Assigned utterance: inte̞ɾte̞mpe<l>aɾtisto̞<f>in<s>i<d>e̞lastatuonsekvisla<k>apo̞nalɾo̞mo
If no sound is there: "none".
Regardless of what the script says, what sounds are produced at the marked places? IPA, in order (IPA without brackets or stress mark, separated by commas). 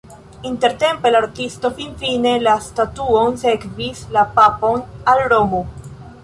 l, f, f, n, p